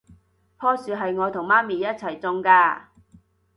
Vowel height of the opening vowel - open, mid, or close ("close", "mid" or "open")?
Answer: mid